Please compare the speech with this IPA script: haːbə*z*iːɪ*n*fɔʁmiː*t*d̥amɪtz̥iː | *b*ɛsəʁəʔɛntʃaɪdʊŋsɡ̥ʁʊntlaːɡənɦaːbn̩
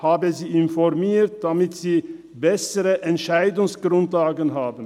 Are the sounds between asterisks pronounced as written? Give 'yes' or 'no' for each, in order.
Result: yes, yes, yes, yes

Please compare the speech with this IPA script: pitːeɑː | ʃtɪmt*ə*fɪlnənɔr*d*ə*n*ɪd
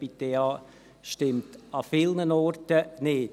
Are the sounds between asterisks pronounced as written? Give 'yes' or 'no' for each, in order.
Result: no, no, yes

